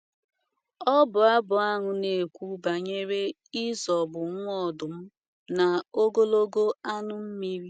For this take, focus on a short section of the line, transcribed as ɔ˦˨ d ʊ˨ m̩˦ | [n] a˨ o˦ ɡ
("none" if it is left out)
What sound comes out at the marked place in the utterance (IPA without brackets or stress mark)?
n